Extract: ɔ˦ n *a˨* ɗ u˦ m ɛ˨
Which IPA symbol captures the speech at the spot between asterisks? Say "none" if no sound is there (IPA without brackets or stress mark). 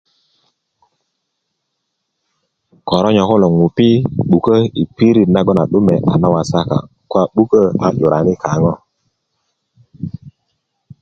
a˨